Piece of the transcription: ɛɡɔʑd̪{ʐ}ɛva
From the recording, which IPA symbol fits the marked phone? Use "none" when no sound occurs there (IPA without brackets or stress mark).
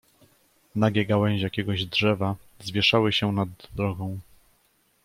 ʐ